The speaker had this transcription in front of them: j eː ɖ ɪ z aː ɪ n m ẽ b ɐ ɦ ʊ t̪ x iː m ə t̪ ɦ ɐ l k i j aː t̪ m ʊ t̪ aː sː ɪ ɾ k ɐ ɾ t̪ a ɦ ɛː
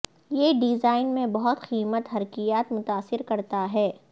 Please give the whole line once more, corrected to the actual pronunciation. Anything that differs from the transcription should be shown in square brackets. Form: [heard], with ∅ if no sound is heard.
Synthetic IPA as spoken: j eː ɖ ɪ z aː ɪ n m ẽ b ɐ ɦ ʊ t̪ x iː m ə t̪ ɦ ɐ [ɾ] k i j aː t̪ m ʊ t̪ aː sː ɪ ɾ k ɐ ɾ t̪ a ɦ ɛː